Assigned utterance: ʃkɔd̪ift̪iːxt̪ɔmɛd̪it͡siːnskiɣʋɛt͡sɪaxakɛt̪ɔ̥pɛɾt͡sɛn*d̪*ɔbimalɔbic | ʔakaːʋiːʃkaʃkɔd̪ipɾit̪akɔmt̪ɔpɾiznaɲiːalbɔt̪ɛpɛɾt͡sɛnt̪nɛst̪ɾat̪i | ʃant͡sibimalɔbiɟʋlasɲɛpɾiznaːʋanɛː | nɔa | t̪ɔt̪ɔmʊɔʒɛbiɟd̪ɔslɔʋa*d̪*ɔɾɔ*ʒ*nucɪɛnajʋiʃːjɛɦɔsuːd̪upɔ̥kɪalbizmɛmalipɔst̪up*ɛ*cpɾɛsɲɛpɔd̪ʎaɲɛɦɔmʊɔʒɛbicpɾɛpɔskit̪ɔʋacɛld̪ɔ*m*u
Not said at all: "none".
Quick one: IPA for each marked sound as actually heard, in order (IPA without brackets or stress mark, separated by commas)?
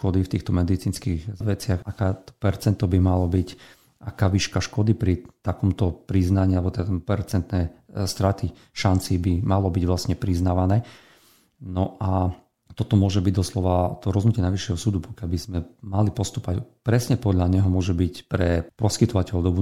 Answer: t̪, t̪, z, a, b